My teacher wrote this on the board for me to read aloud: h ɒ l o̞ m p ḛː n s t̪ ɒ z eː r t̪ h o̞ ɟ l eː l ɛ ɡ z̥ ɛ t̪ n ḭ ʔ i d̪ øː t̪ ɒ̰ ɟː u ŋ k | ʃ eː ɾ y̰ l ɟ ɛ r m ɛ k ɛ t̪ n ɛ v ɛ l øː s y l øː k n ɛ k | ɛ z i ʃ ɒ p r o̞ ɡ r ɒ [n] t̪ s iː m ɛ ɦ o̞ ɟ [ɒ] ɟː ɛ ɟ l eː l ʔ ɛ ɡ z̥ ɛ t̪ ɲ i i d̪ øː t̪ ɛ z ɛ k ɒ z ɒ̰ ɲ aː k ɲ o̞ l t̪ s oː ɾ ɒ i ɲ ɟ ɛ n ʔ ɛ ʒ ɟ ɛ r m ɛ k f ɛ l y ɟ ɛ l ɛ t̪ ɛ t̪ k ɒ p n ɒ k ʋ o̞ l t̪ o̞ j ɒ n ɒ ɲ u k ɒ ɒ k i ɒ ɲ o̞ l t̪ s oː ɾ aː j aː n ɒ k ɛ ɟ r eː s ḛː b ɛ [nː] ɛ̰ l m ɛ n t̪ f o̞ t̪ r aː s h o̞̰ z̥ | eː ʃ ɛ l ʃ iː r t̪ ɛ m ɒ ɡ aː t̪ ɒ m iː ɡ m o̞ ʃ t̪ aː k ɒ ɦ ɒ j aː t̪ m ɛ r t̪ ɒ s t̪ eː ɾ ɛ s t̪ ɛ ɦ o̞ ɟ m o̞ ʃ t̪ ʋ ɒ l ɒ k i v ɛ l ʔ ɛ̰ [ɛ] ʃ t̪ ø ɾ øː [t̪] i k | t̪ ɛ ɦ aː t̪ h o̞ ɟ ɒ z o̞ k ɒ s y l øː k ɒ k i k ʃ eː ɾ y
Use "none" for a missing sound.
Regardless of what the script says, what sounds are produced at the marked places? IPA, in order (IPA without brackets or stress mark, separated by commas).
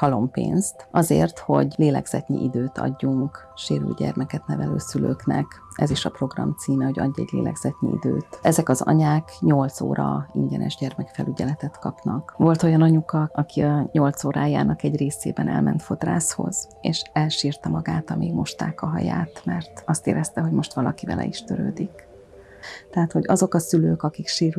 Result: m, ɒ, n, i, d̪